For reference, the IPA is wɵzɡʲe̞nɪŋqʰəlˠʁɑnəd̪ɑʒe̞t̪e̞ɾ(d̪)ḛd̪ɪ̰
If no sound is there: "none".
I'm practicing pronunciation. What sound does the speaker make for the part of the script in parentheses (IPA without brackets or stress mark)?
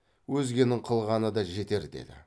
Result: d̪